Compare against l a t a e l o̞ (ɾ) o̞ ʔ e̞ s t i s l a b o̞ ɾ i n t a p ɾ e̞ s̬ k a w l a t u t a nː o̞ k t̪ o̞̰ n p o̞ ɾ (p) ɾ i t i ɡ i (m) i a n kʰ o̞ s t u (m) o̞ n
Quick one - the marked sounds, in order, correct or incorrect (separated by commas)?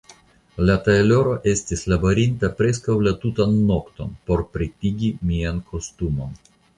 correct, correct, correct, correct